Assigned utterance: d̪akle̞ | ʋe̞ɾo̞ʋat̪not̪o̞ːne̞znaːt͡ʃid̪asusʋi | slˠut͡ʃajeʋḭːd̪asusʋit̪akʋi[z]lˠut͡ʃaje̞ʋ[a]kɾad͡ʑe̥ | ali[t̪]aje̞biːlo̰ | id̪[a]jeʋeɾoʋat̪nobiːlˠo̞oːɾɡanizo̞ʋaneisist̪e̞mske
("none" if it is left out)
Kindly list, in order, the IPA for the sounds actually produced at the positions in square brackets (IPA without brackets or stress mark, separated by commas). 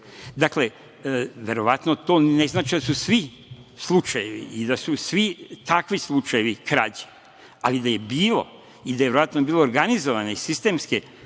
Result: s, i, d̪, a